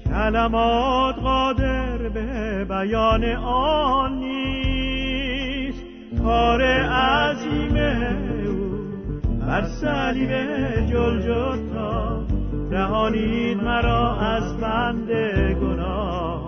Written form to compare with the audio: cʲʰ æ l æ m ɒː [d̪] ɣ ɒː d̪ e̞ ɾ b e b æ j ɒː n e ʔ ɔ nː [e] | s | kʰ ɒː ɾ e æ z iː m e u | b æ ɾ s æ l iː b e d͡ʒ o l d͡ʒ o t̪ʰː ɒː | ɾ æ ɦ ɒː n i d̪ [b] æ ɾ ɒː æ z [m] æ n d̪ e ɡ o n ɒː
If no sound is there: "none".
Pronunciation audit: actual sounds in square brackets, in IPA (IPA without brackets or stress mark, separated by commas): t̪, i, m, b